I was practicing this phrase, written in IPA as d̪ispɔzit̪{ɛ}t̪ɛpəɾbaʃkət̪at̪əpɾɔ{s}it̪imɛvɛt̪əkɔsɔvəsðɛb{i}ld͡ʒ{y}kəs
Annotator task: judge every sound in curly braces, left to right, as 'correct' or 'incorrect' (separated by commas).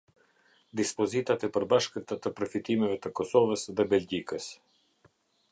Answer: incorrect, incorrect, incorrect, incorrect